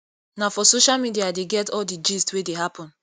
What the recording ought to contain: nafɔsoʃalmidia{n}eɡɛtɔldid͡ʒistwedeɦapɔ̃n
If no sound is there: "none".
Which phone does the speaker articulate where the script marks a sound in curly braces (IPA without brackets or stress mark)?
d